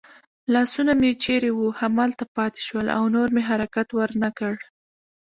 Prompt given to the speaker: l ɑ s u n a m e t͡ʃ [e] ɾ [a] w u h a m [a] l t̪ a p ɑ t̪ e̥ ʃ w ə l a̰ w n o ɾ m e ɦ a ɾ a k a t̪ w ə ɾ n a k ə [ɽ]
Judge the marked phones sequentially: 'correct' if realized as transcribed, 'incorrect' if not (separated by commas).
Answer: correct, incorrect, incorrect, correct